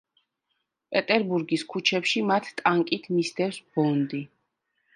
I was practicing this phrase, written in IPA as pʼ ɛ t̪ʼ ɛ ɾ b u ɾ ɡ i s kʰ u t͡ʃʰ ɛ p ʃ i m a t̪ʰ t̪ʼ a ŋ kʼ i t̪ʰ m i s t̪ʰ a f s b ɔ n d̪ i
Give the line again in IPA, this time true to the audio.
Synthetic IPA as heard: pʼ ɛ t̪ʼ ɛ ɾ b u ɾ ɡ i s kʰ u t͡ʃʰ ɛ p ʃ i m a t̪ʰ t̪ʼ a ŋ kʼ i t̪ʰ m i s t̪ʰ ɛ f s b ɔ n d̪ i